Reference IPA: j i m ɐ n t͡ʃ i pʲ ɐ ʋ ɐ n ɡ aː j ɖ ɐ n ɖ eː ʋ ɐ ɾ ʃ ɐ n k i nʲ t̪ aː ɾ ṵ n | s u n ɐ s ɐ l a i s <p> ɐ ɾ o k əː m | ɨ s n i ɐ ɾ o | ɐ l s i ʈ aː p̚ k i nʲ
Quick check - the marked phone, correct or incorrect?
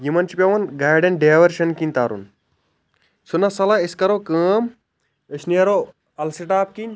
incorrect